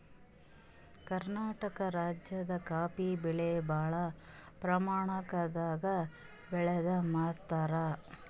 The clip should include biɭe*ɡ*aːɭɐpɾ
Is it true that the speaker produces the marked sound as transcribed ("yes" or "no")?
no